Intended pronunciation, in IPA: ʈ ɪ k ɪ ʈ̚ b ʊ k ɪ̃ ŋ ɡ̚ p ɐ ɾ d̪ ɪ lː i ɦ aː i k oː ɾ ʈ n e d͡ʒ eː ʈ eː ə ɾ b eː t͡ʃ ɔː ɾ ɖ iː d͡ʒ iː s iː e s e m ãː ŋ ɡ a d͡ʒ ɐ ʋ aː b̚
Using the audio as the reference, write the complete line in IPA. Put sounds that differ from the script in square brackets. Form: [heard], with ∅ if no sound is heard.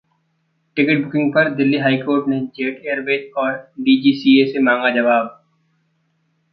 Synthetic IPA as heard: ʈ ɪ k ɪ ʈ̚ b ʊ k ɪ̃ ŋ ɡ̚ p ɐ ɾ d̪ ɪ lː i ɦ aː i k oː ɾ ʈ n e d͡ʒ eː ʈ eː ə ɾ b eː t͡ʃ ɔː ɾ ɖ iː d͡ʒ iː s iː e s e m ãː ŋ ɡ a d͡ʒ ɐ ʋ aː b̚